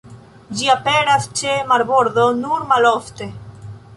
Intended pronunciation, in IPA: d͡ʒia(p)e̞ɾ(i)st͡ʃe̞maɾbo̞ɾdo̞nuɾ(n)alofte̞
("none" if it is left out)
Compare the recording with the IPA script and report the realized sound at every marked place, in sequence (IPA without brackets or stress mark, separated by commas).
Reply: p, a, m